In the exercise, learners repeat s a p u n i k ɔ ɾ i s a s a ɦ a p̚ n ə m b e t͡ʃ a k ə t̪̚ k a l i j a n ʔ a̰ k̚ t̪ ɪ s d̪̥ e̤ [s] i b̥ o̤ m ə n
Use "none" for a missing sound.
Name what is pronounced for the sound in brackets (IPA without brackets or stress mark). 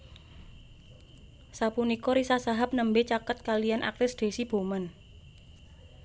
s